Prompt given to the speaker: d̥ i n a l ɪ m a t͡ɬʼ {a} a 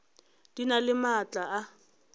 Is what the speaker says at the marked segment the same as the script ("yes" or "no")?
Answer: yes